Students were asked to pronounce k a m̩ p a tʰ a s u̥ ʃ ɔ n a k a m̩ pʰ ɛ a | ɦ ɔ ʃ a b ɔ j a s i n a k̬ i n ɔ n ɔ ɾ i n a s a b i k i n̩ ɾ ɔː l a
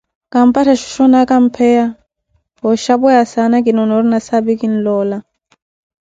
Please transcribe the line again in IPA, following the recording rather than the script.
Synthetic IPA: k a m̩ p a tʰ a ʃ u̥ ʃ ɔ n a k a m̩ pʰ ɛ a | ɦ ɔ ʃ a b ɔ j a s a n a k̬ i n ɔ n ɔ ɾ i n a s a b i k i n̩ l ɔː l a